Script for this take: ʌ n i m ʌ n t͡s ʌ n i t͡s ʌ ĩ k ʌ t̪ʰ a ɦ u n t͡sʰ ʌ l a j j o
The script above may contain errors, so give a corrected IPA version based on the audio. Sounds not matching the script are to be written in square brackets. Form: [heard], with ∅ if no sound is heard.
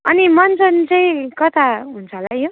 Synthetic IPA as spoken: ʌ n i m ʌ n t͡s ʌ n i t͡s ʌ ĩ k ʌ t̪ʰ a ɦ u n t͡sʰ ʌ l a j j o